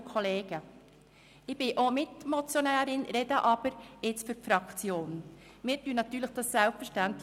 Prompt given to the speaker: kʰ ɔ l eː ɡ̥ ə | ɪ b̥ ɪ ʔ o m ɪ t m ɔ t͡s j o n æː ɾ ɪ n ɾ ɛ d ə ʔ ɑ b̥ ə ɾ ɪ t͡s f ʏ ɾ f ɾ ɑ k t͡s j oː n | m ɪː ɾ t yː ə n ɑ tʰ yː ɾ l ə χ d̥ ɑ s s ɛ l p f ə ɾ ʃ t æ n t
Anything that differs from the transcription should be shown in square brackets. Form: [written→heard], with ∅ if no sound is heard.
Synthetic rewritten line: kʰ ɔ l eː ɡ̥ ə | ɪ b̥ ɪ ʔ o m ɪ t m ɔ t͡s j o n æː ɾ ɪ n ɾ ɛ d ə ʔ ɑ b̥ ə ɾ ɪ t͡s f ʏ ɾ f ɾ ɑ k t͡s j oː n | m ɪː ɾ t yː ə n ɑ [tʰ→t] yː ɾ l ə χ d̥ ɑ s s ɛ l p f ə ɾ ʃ t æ n t